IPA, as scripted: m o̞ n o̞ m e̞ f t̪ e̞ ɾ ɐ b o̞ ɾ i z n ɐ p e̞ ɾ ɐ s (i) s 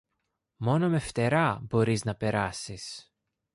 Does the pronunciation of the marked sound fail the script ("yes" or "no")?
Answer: no